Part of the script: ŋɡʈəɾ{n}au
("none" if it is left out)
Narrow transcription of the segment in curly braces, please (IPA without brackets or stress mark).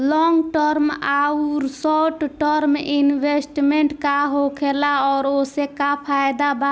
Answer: m